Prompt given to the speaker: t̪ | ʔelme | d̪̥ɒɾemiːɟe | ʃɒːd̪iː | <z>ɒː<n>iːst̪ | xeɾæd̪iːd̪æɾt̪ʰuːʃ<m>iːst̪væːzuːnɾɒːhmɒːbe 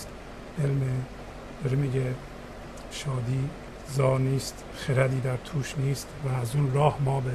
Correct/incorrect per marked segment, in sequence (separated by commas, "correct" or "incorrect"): correct, correct, incorrect